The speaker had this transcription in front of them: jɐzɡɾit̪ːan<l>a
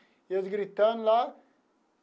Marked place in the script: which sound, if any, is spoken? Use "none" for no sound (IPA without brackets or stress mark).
l